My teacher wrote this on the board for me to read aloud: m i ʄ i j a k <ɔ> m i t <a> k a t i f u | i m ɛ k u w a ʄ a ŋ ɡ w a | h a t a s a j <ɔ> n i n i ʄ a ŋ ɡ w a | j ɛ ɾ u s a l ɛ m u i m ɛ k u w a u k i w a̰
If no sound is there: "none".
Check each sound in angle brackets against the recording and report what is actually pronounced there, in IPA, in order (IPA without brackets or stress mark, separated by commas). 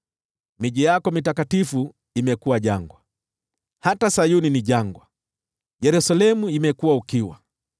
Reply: ɔ, a, u